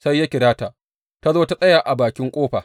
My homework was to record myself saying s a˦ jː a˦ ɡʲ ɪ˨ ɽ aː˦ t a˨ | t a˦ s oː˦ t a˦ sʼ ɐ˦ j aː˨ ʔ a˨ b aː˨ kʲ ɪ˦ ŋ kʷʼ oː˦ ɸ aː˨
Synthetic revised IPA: s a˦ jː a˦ kʲ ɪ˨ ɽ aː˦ t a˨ | t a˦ z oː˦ t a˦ sʼ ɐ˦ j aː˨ ʔ a˨ b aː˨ kʲ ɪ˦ ŋ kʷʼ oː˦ ɸ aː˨